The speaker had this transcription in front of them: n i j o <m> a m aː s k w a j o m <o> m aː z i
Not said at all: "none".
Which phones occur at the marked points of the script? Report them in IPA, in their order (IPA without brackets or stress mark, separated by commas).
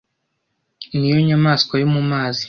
ɲ, u